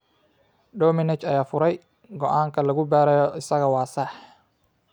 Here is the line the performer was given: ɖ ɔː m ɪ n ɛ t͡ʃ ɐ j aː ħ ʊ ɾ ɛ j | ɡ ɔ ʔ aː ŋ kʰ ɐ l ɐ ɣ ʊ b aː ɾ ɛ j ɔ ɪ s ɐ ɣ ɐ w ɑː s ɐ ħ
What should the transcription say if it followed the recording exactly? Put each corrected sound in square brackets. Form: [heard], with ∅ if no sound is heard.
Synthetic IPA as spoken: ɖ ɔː m ɪ n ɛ t͡ʃ ɐ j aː [f] ʊ ɾ ɛ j | ɡ ɔ ʔ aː ŋ kʰ ɐ l ɐ ɣ ʊ b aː ɾ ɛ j ɔ ɪ s ɐ ɣ ɐ w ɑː s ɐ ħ